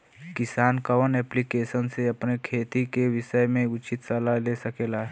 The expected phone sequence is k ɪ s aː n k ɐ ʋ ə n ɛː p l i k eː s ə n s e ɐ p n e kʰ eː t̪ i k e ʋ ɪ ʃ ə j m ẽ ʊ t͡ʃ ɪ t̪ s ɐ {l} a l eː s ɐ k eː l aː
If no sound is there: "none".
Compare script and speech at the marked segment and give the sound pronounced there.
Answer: l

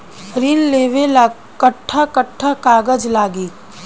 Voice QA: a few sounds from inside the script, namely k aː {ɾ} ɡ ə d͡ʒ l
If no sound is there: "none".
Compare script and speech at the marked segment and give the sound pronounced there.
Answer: none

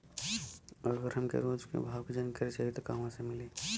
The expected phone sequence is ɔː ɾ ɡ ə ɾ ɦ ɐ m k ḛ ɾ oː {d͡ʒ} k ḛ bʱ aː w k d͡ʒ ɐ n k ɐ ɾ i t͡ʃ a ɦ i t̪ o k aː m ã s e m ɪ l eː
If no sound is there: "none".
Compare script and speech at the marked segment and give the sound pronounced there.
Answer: d͡ʒ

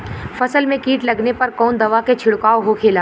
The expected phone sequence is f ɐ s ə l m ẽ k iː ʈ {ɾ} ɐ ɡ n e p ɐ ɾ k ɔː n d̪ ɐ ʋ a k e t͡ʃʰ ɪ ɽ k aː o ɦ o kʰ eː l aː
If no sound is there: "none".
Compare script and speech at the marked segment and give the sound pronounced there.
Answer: l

